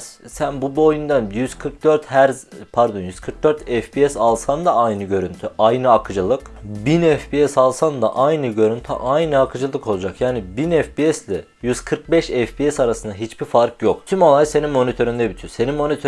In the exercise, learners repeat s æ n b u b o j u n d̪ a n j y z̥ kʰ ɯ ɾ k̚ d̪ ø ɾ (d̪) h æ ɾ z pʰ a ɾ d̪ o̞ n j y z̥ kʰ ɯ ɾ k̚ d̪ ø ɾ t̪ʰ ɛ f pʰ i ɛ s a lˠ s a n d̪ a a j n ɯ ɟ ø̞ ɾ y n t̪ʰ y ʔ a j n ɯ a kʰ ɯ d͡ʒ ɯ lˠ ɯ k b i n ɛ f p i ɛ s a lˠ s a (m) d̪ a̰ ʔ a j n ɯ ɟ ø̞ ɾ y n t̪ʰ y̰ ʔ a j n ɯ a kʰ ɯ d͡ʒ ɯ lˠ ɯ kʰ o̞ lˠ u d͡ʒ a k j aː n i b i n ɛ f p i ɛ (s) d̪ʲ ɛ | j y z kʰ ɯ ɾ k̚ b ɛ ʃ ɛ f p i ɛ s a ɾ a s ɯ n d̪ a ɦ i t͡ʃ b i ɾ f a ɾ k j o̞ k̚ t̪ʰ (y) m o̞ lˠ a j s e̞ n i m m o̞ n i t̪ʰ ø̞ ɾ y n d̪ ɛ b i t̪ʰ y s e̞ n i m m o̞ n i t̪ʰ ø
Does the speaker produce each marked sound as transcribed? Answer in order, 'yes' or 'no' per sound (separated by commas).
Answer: no, no, yes, yes